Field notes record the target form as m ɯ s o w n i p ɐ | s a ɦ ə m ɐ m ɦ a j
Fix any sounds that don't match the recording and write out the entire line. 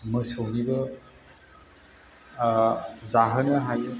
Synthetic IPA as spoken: m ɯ s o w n i b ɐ | z a ɦ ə n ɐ ɦ a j